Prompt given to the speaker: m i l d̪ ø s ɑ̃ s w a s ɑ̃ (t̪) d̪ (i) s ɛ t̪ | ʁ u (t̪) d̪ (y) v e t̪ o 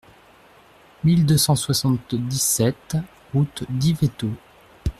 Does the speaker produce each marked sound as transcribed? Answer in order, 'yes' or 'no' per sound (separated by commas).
yes, yes, yes, no